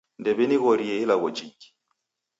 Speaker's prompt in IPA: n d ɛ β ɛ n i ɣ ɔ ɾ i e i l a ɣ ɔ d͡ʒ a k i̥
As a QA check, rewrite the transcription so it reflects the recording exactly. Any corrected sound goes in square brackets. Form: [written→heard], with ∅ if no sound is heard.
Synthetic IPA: n d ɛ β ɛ n i ɣ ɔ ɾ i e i l a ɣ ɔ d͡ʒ [a→i] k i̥

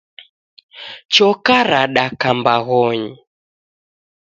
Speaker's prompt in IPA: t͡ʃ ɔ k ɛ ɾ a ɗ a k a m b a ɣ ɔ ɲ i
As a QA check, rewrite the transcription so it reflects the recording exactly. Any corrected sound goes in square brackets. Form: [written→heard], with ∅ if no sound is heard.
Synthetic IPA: t͡ʃ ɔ k [ɛ→a] ɾ a ɗ a k a m b a ɣ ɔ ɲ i

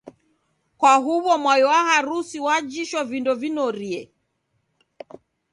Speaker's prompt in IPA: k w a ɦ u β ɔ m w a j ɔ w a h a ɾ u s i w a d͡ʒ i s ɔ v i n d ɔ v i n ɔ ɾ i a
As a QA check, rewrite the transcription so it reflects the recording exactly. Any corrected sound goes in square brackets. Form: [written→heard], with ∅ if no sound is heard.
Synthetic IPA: k w a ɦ u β ɔ m w a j ɔ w a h a ɾ u s i w a d͡ʒ i [s→ʃ] ɔ v i n d ɔ v i n ɔ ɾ i [a→ɛ]

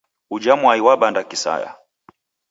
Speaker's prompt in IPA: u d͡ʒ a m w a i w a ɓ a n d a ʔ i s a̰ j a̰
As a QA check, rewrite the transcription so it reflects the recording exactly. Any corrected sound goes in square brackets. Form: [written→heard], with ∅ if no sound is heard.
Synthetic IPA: u d͡ʒ a m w a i w a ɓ a n d a [ʔ→k] i s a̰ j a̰

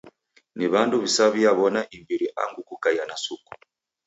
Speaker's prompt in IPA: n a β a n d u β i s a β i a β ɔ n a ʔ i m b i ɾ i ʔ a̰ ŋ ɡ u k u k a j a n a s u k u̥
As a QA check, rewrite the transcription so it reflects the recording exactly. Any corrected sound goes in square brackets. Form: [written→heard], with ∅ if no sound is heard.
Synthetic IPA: n [a→i] β a n d u β i s a β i a β ɔ n a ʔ i m b i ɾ i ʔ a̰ ŋ ɡ u k u k a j a n a s u k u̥

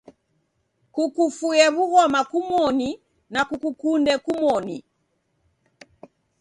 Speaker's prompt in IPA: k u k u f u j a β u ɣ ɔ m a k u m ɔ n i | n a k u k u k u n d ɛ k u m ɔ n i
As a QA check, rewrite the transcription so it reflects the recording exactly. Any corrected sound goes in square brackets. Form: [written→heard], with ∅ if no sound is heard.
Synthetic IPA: k u k u f u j [a→ɛ] β u ɣ ɔ m a k u m ɔ n i | n a k u k u k u n d ɛ k u m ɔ n i

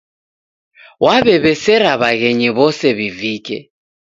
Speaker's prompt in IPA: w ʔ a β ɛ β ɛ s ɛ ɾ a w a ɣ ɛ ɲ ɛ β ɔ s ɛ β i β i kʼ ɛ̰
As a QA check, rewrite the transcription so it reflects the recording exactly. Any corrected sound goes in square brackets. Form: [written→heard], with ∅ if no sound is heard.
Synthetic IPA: w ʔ a β ɛ β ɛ s ɛ ɾ a [w→β] a ɣ ɛ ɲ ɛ β ɔ s ɛ β i [β→v] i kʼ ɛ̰

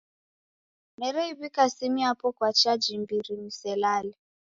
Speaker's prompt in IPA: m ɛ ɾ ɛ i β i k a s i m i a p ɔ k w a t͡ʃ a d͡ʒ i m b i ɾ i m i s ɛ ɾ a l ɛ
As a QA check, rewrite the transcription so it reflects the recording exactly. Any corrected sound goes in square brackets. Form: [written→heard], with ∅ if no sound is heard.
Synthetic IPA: m ɛ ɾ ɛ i β i k a s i m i a p ɔ k w a t͡ʃ a d͡ʒ i m b i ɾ i m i s ɛ [ɾ→l] a l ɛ

